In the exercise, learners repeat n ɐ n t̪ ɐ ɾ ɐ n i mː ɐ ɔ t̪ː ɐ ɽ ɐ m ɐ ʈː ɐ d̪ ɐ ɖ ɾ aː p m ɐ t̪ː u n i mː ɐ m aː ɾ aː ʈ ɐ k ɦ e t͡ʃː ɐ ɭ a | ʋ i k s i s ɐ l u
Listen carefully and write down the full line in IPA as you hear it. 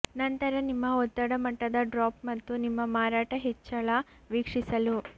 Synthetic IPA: n ɐ n t̪ ɐ ɾ ɐ n i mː ɐ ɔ t̪ː ɐ ɽ ɐ m ɐ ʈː ɐ d̪ ɐ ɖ ɾ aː p m ɐ t̪ː u n i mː ɐ m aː ɾ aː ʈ ɐ ɦ e t͡ʃː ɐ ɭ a | ʋ i k ʂ i s ɐ l u